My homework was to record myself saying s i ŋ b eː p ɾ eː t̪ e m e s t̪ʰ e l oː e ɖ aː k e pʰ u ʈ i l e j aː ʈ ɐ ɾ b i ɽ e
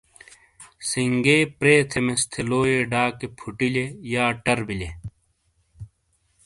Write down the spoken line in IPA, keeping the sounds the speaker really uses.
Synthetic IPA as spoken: s i ŋ ɡ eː p ɾ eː t̪ʰ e m e s t̪ʰ e l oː e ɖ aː k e pʰ u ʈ i l e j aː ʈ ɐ ɾ b i l e